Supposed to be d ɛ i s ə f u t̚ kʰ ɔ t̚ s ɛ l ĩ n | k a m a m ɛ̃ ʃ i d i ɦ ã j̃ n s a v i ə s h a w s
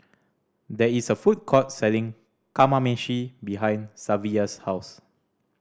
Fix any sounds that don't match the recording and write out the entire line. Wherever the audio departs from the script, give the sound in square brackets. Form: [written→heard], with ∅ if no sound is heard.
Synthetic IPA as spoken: d ɛ i s ə f u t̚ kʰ ɔ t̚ s ɛ l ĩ [n→ŋ] | k a m a m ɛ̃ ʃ i [d→b] i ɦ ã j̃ n s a v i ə s h a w s